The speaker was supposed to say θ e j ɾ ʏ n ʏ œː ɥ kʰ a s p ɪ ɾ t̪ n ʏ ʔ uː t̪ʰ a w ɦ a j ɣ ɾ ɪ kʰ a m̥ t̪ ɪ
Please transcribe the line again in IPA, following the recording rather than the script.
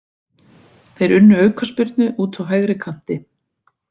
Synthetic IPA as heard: θ e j ɾ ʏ nː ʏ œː ɥ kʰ a s p ɪ ɾ t̪ n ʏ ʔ uː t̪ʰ a w ɦ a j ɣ ɾ ɪ kʰ a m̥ t̪ ɪ